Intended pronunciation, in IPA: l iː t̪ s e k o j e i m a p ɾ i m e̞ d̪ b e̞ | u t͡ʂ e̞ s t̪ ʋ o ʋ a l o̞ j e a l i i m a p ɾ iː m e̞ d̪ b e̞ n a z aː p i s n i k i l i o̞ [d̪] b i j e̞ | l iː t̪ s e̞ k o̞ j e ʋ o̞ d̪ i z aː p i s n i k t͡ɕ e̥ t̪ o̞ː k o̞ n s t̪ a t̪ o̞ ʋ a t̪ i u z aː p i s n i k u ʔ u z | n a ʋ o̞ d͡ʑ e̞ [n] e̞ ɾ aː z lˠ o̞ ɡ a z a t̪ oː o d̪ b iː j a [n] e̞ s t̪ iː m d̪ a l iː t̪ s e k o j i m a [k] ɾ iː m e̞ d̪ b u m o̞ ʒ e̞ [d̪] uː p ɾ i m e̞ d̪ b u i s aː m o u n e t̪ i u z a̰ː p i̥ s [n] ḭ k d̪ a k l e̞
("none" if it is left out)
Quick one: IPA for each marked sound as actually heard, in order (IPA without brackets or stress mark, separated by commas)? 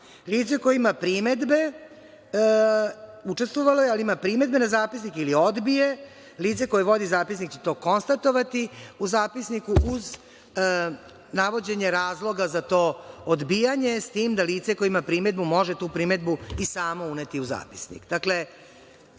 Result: d̪, ɲ, ɲ, p, t̪, n